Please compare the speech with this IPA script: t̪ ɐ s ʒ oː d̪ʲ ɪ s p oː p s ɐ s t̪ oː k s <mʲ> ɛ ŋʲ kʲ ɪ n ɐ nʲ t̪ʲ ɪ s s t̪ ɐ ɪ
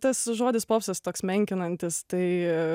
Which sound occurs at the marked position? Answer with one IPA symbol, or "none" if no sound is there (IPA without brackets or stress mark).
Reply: mʲ